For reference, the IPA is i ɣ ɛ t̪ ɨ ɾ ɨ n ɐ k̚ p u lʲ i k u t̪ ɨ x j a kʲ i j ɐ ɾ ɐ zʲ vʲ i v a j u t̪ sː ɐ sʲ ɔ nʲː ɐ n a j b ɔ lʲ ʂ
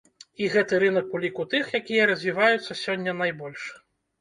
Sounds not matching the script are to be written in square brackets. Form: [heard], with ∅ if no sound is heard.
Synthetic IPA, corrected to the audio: i ɣ ɛ t̪ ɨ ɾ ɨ n ɐ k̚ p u lʲ i k u t̪ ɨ x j a kʲ i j ɐ ɾ ɐ zʲ vʲ i v a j u t̪ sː ɐ sʲ ɔ nʲː ɐ n a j b ɔ lʲ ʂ